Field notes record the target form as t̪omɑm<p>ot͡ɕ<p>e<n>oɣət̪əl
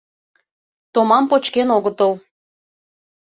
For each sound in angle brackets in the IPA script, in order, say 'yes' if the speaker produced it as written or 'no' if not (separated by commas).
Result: yes, no, yes